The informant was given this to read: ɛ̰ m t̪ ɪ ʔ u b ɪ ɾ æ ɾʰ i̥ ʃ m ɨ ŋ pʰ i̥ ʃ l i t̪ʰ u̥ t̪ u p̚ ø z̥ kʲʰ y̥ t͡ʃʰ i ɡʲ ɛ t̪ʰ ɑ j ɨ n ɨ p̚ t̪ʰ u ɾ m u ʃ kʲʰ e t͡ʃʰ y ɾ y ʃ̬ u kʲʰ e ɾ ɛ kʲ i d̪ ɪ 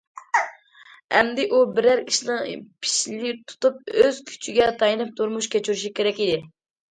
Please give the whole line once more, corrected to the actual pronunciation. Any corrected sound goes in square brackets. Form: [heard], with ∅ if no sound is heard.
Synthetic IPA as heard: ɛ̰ m [d̪] ɪ ʔ u b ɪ ɾ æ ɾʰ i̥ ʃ [n] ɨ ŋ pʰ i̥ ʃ l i t̪ʰ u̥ t̪ u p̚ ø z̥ kʲʰ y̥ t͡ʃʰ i ɡʲ ɛ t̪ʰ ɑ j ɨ n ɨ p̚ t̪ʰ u ɾ m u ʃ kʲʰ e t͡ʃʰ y ɾ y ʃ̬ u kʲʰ e ɾ ɛ kʲ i d̪ ɪ